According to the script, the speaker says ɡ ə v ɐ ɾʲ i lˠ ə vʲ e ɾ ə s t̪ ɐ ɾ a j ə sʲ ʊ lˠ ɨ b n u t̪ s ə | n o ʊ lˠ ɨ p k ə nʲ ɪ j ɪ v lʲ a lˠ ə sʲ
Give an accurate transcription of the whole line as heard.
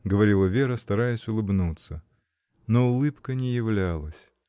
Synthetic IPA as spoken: ɡ ə v ɐ ɾʲ i lˠ ə vʲ e ɾ ə s t̪ ɐ ɾ a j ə sʲ ʊ lˠ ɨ b n u t̪ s ə | n o ʊ lˠ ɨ p k ə nʲ ɪ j ɪ v lʲ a lˠ ə sʲ